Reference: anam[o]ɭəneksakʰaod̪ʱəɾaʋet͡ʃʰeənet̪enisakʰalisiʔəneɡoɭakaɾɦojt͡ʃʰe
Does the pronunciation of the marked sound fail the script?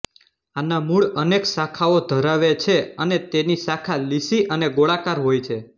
yes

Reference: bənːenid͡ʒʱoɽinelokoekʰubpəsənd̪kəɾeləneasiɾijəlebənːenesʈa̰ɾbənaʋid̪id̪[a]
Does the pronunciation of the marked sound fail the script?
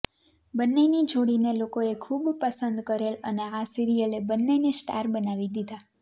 no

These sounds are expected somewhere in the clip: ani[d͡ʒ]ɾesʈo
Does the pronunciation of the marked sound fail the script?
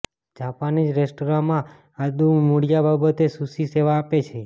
no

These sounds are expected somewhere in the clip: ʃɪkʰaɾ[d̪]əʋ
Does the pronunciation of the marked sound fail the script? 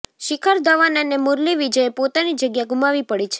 no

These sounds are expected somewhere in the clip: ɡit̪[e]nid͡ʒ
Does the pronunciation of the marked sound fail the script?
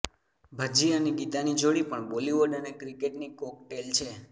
yes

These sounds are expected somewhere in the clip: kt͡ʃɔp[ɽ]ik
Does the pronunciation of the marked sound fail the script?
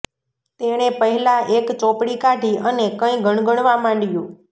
no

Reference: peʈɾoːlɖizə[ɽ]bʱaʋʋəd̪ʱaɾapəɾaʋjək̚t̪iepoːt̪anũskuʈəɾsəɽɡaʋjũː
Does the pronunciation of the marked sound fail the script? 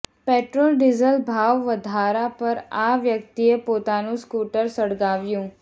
yes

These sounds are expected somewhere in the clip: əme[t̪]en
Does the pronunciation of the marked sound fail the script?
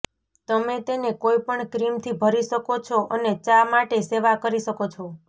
no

